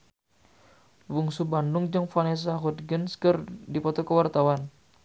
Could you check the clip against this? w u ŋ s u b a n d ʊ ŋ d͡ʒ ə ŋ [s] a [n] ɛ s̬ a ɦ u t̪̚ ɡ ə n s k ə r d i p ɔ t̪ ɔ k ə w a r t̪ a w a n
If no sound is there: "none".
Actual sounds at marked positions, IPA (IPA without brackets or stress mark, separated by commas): f, n